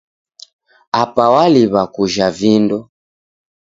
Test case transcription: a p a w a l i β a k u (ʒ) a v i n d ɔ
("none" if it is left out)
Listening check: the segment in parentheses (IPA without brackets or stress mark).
ʒ